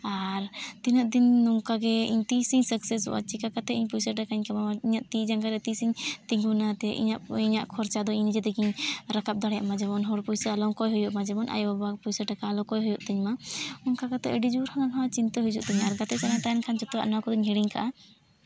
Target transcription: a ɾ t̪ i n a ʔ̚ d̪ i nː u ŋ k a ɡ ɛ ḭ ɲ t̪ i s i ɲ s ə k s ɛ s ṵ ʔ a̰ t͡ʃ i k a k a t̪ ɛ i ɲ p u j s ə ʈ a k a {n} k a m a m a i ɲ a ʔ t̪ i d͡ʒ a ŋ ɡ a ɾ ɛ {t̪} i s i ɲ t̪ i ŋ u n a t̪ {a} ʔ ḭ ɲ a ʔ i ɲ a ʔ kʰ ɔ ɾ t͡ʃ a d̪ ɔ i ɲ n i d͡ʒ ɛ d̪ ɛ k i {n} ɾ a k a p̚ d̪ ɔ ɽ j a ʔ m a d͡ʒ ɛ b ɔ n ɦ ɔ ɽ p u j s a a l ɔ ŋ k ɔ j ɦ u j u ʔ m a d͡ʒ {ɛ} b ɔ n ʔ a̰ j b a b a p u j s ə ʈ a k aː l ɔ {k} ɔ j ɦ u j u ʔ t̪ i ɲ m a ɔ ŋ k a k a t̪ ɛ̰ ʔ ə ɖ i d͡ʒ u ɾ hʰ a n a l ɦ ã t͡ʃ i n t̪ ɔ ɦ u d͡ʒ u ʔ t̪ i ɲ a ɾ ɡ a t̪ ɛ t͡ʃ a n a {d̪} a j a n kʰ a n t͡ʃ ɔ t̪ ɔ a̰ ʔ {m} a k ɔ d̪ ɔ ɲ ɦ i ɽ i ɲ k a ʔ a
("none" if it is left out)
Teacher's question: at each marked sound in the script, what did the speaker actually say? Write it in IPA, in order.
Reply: ɲ, t̪, ɛ, ɲ, ɛ, k, t̪, n

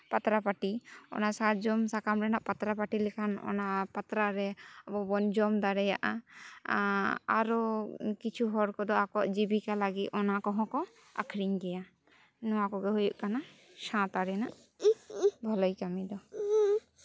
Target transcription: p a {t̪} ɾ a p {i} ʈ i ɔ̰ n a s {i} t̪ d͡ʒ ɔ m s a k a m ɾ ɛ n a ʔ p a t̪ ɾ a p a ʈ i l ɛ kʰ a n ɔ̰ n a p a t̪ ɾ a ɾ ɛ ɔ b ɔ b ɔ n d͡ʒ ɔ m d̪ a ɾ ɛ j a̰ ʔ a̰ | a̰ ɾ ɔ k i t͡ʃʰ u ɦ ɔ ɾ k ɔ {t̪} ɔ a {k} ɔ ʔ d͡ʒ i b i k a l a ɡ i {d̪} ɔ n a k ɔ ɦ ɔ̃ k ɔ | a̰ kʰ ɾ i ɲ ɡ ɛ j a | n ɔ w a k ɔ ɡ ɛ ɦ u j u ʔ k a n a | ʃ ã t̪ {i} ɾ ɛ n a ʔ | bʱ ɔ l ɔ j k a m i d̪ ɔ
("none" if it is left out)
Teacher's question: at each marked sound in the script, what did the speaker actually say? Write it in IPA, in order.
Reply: t̪, a, a, d̪, k, t̪, a

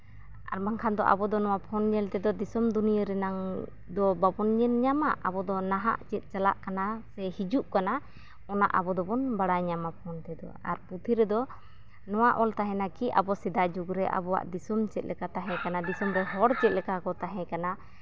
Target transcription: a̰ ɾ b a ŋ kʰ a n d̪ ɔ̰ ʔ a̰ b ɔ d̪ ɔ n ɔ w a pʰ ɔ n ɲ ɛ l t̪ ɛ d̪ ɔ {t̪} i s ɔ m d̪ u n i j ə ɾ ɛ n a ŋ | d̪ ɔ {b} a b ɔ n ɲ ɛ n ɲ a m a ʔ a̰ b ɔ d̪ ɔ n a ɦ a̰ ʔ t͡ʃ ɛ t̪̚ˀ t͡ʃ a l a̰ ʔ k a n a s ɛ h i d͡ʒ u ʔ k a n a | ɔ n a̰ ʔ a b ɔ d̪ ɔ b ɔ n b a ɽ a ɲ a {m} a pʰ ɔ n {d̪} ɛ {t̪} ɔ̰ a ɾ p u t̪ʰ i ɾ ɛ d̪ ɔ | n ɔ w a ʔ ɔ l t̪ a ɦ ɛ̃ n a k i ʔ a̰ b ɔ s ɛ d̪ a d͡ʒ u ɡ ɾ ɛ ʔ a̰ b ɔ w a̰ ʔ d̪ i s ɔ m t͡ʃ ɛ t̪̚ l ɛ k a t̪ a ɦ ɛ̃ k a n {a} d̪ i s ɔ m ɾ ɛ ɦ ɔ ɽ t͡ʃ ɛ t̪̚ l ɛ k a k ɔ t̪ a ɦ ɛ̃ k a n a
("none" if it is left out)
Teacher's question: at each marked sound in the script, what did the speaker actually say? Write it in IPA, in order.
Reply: d̪, b, m, t̪, d̪, a

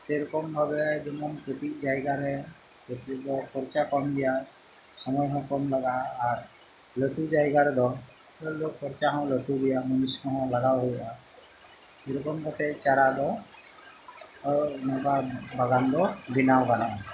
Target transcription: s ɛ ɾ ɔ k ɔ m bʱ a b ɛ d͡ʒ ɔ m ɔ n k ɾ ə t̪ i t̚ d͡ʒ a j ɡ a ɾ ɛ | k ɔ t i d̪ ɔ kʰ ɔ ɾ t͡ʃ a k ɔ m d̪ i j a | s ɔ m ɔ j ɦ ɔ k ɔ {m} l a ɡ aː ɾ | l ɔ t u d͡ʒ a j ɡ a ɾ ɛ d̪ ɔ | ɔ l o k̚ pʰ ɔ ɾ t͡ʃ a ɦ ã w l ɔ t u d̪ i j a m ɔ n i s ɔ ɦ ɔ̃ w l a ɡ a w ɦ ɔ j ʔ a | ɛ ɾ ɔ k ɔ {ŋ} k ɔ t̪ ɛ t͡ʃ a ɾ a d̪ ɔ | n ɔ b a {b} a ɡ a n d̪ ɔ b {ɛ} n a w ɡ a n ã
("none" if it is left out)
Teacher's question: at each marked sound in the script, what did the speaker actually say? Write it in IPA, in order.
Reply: m, m, b, i

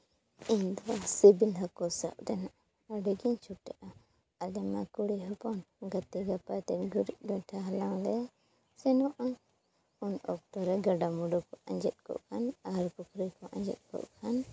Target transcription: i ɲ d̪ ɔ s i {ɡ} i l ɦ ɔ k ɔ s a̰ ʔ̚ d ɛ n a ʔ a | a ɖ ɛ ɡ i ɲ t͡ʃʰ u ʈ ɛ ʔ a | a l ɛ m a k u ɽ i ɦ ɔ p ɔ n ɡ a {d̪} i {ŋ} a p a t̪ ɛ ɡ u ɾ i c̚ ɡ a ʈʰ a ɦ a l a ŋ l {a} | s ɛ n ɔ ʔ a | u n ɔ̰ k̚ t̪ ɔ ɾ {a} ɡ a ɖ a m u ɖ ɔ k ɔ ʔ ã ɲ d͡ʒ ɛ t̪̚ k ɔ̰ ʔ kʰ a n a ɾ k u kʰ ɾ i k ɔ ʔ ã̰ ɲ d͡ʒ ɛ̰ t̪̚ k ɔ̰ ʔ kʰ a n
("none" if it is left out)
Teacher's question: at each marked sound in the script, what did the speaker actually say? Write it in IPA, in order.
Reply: b, t̪, ɡ, ɛ, ɛ

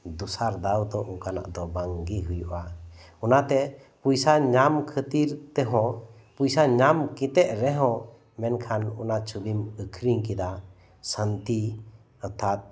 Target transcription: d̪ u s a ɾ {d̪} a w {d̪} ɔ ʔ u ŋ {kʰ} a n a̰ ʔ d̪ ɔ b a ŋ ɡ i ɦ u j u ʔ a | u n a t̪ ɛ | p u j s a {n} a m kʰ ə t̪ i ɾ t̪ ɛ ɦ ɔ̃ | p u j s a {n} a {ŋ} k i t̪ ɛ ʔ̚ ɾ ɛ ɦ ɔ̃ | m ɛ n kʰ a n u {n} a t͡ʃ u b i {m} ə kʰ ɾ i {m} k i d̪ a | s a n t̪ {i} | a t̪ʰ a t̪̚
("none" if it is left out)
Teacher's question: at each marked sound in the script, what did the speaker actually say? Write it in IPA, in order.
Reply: d̪, d̪, k, ɲ, ɲ, m, n, m, ŋ, i

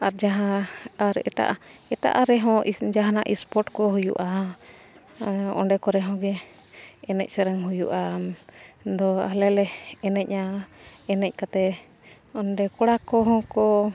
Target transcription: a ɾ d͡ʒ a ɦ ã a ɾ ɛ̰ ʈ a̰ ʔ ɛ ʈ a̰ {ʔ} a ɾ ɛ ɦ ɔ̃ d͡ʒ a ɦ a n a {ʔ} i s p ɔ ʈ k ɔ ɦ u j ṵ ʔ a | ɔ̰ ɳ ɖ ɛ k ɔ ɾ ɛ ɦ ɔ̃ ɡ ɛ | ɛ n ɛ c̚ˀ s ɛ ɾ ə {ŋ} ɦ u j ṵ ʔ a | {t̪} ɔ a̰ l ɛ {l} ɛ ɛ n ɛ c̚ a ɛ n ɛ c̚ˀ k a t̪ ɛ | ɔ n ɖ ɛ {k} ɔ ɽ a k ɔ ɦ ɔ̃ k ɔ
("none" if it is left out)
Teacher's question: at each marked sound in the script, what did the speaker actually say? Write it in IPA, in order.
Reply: ʔ, ʔ, ŋ, d̪, l, k

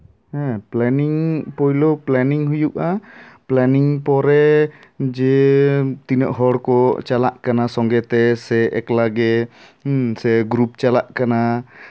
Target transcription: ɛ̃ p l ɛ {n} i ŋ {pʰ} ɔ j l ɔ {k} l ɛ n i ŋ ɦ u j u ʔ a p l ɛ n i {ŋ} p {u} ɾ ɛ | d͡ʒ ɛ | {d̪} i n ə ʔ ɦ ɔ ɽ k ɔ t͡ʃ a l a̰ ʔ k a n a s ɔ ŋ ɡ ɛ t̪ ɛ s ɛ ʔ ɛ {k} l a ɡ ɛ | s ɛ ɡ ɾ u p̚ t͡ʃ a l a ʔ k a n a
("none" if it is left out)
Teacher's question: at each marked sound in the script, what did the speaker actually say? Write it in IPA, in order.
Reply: n, p, p, ŋ, ɔ, t̪, k

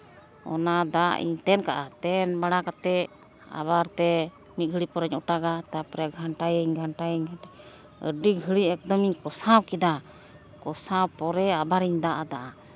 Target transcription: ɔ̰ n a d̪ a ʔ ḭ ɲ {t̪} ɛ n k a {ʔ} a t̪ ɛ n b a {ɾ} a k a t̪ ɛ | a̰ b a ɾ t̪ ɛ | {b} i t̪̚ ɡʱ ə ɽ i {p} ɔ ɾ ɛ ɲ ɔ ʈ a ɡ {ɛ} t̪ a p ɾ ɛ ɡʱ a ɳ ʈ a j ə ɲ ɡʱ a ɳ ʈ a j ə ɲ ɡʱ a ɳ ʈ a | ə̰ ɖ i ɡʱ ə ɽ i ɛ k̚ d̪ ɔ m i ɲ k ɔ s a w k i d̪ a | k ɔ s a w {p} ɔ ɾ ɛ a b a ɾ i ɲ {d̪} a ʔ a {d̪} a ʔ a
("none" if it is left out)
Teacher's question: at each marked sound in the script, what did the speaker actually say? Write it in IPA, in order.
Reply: t̪, ʔ, ɽ, m, p, a, p, d̪, d̪

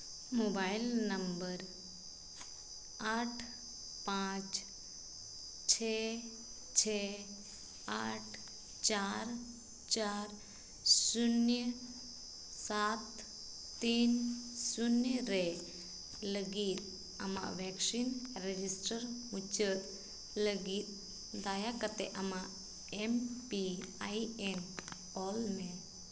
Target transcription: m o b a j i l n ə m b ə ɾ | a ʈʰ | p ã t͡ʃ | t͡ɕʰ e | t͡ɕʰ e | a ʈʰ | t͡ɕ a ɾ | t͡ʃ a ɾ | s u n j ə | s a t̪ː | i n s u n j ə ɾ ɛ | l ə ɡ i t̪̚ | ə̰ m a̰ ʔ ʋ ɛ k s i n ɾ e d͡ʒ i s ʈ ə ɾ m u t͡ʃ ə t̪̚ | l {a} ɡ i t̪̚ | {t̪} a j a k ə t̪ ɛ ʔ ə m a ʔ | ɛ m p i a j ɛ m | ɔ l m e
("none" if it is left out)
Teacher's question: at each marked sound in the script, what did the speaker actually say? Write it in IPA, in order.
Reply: ə, d̪

